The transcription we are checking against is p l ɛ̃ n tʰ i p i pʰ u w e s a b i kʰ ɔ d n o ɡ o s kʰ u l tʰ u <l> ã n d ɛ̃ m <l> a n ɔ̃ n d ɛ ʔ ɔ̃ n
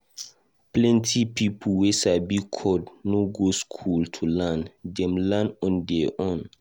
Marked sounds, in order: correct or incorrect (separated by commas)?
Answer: correct, correct